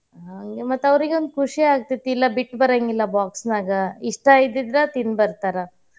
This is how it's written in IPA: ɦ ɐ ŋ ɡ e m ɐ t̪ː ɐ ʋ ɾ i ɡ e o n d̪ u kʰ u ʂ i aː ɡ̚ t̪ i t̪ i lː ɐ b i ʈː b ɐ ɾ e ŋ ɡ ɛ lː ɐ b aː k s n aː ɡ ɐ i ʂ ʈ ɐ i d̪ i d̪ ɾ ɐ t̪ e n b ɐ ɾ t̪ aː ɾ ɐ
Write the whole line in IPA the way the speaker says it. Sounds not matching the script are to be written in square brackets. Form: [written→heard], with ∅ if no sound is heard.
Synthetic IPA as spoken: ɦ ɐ ŋ ɡ e m ɐ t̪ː ɐ ʋ ɾ i ɡ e o n d̪ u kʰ u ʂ i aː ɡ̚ t̪ i t̪ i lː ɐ b i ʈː b ɐ ɾ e ŋ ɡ [ɛ→i] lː ɐ b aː k s n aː ɡ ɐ i ʂ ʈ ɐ i d̪ i d̪ ɾ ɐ t̪ [e→i] n b ɐ ɾ t̪ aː ɾ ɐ